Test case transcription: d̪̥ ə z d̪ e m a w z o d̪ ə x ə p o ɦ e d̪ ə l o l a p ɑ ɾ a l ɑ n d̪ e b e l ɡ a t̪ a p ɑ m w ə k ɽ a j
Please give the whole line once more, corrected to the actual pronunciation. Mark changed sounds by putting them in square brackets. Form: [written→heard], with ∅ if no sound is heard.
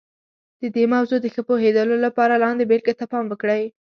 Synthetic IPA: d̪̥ ə [z→∅] d̪ e m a w z o d̪ ə x ə p o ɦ e d̪ ə l o l a p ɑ ɾ a l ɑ n d̪ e b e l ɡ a t̪ a p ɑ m w ə k ɽ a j